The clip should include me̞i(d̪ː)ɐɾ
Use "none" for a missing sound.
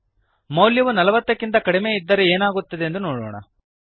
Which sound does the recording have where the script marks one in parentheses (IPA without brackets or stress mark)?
d̪ː